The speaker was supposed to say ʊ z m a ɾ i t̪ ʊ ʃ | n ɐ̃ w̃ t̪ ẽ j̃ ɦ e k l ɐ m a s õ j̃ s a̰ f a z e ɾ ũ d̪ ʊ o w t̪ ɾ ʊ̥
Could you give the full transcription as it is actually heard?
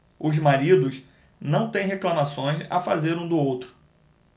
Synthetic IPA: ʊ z m a ɾ i d̪ ʊ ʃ | n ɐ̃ w̃ t̪ ẽ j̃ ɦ e k l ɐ m a s õ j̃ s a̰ f a z e ɾ ũ d̪ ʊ o w t̪ ɾ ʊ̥